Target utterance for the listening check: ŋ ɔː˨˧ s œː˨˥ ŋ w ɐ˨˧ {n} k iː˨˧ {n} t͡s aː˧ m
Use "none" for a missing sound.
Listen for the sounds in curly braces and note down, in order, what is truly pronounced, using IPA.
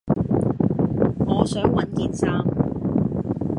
n, n

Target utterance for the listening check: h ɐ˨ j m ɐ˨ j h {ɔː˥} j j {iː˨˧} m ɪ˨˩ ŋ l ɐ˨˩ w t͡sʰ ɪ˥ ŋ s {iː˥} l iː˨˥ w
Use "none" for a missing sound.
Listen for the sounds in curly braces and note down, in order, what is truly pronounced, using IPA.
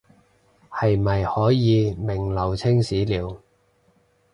ɔː˨˥, iː˨˧, iː˨˥

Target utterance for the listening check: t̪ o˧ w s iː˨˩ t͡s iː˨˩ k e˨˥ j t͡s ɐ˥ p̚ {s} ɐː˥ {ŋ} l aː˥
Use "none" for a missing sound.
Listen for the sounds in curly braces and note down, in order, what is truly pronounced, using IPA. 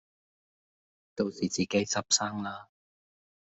s, ŋ

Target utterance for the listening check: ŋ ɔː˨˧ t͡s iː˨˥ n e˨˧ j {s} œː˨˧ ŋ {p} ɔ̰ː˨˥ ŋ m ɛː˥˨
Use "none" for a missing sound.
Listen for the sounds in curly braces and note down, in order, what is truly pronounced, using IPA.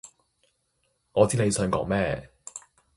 s, k

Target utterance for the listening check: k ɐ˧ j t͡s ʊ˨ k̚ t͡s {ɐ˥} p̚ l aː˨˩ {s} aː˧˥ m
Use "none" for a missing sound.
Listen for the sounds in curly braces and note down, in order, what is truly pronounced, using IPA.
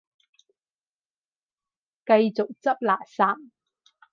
ɐ˥, s

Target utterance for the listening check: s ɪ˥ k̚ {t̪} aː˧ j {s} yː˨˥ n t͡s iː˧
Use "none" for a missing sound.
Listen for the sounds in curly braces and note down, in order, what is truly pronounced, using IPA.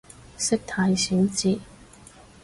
t̪ʰ, s

